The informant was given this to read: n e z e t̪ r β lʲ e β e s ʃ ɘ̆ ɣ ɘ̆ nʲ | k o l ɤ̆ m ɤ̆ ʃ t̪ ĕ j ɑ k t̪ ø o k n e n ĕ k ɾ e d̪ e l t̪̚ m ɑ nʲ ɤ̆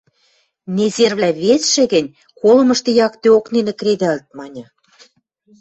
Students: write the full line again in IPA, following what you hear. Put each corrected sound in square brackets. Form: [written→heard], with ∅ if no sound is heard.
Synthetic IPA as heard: n e z e [t̪→∅] r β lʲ [e→æ] β e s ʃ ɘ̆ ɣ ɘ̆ nʲ | k o l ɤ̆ m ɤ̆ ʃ t̪ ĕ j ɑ k t̪ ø o k n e n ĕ k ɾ e d̪ [e→æ] l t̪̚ m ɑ nʲ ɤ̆